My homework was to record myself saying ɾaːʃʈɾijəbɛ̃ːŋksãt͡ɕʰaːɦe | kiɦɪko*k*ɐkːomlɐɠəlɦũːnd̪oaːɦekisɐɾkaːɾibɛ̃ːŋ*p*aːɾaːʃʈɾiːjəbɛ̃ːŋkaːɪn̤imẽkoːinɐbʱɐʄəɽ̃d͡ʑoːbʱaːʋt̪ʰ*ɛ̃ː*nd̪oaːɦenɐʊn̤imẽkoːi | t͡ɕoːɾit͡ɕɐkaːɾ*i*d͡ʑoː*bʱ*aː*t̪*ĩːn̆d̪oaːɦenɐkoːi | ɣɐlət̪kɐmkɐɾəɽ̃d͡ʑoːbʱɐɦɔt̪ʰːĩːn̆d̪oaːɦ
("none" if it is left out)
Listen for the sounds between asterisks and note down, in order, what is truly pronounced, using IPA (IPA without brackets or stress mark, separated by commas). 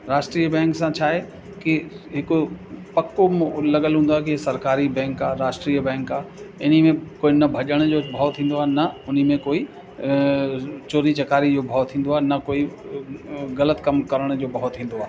p, k, ĩː, i, bʱ, t̪ʰ